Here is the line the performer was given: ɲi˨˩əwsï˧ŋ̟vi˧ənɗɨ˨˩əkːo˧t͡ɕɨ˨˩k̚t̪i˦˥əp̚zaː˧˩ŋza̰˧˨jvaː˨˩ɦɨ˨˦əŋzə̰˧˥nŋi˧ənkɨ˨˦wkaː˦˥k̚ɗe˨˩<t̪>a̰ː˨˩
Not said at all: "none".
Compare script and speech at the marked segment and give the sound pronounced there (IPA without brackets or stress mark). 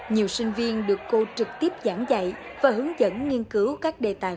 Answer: t̪